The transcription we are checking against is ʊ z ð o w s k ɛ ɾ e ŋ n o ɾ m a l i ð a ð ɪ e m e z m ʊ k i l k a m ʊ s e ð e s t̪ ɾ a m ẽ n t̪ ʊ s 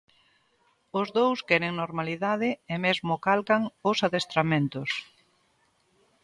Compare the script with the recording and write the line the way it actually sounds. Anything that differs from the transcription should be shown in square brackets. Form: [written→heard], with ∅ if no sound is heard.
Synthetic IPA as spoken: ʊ z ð o w s k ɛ ɾ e ŋ n o ɾ m a l i ð a ð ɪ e m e z m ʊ k [i→a] l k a [m→ŋ] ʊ s [e→a] ð e s t̪ ɾ a m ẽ n t̪ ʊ s